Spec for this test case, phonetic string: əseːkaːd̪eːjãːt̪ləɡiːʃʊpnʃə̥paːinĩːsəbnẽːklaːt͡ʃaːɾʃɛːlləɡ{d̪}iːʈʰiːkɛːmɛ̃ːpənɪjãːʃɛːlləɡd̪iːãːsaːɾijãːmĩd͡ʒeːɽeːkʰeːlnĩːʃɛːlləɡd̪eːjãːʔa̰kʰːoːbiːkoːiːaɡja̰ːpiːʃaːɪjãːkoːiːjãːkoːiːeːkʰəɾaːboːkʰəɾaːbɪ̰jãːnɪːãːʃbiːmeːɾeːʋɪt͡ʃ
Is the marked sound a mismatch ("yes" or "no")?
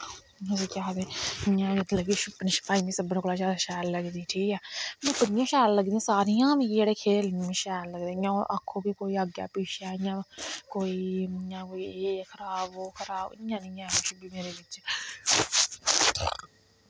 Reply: no